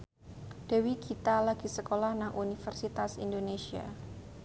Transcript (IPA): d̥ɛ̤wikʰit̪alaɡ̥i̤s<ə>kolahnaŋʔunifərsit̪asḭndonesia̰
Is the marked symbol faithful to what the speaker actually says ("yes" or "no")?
yes